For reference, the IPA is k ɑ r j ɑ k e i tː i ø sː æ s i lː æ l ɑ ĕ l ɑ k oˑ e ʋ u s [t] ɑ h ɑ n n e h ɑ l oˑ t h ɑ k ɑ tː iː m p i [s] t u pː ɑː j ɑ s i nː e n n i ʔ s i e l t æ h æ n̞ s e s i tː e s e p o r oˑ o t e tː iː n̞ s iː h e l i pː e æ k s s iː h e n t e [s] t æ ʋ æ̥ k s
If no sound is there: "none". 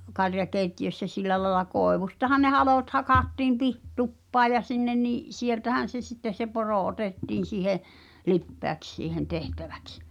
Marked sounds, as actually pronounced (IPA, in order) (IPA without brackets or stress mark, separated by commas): t, h, h